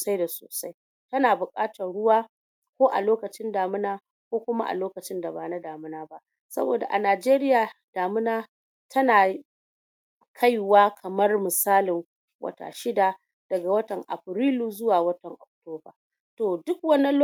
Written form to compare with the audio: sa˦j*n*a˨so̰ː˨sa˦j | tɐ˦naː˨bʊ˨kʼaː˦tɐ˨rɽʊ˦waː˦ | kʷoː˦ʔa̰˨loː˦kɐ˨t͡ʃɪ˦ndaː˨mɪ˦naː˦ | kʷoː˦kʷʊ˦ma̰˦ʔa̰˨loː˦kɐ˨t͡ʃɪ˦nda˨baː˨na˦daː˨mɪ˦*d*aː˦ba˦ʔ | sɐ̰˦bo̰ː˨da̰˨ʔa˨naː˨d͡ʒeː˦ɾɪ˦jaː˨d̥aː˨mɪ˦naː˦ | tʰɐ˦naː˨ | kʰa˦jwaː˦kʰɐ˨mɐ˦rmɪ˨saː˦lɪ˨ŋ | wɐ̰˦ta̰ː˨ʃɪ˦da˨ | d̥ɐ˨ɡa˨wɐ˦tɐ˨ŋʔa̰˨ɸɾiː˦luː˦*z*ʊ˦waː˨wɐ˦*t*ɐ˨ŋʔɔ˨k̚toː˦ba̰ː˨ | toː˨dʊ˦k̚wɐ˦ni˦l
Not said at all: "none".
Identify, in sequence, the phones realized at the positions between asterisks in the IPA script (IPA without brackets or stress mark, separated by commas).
d, n, z, t